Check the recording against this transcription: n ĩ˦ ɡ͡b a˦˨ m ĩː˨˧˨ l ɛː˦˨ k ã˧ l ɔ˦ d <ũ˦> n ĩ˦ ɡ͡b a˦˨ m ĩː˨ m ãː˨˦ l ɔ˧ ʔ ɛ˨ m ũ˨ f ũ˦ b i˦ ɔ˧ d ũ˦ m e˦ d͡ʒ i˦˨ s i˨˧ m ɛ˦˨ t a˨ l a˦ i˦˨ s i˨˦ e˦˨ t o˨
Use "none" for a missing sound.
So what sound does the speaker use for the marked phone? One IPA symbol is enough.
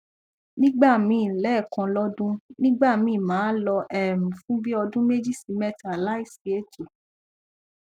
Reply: ũ˦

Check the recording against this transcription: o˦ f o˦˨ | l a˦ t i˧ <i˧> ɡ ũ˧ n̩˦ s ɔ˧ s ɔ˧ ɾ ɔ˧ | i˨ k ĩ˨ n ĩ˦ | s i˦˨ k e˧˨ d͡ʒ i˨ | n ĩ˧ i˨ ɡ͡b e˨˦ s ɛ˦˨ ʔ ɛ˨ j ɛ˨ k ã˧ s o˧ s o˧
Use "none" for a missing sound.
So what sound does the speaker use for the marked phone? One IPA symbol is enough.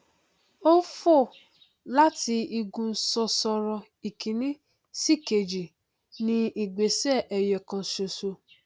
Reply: i˧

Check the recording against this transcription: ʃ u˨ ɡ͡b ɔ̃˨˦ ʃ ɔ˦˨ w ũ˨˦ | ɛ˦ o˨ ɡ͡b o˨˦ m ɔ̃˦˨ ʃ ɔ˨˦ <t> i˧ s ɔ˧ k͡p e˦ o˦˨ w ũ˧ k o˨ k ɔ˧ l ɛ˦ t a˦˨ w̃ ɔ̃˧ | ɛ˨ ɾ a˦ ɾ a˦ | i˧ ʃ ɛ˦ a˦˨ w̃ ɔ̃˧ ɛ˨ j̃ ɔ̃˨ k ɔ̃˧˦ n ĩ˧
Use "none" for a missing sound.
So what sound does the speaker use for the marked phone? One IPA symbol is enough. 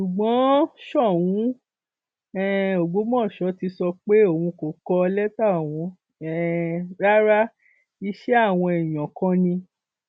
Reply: t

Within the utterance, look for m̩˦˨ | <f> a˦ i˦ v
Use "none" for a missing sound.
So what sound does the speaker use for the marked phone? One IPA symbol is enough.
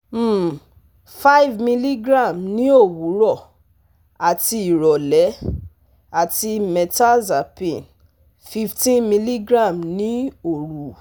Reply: f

